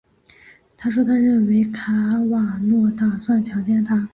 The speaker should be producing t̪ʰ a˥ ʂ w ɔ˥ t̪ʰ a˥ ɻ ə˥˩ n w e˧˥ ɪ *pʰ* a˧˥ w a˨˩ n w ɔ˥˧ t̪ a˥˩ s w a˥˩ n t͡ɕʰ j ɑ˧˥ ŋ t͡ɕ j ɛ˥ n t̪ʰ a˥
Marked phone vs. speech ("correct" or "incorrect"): incorrect